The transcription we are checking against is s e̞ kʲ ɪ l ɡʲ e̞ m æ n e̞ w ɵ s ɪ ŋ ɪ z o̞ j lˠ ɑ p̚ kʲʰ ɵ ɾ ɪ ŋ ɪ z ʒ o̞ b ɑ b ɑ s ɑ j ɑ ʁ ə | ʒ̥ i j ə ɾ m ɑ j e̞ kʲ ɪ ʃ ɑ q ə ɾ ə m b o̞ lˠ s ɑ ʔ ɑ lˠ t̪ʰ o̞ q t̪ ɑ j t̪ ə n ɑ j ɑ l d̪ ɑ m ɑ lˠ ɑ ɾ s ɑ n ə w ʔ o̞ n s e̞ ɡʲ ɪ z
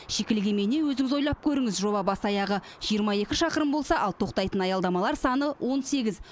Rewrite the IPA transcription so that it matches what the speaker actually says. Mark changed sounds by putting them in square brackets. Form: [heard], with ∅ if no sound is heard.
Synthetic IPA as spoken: [ʃ] e̞ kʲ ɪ l ɡʲ e̞ m [e] n e̞ w ɵ [z] ɪ ŋ ɪ z o̞ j lˠ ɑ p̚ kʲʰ ɵ ɾ ɪ ŋ ɪ z ʒ o̞ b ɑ b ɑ s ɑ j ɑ ʁ ə | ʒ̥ i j ə ɾ m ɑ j e̞ kʲ ɪ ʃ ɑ q ə ɾ ə m b o̞ lˠ s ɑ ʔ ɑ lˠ t̪ʰ o̞ q t̪ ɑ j t̪ ə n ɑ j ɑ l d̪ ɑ m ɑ lˠ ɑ ɾ s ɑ n ə w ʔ o̞ n s e̞ ɡʲ ɪ z